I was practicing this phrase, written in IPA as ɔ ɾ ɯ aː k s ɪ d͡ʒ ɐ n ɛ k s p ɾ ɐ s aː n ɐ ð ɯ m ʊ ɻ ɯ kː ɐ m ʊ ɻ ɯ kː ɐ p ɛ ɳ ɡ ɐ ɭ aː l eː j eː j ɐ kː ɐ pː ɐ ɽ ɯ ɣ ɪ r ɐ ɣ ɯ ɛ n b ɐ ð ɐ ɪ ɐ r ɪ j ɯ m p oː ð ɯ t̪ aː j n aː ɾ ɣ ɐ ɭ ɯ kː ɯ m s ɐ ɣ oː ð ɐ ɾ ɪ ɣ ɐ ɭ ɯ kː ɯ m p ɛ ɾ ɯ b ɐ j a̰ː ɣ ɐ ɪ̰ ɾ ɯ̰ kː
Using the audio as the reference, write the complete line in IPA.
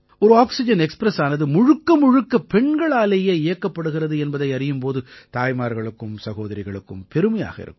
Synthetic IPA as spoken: ɔ ɾ ɯ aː k s ɪ d͡ʒ ɐ n ɛ k s p ɾ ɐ s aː n ɐ ð ɯ m ʊ ɻ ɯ kː ɐ m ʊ ɻ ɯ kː ɐ p ɛ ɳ ɡ ɐ ɭ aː l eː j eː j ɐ kː ɐ pː ɐ ɽ ɯ ɣ ɪ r ɐ ð ɯ ɛ n b ɐ ð ɐ ɪ ɐ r ɪ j ɯ m p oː ð ɯ t̪ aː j m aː ɾ ɣ ɐ ɭ ɯ kː ɯ m s ɐ ɣ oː ð ɐ ɾ ɪ ɣ ɐ ɭ ɯ kː ɯ m p ɛ ɾ ɯ m ɐ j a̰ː ɣ ɐ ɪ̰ ɾ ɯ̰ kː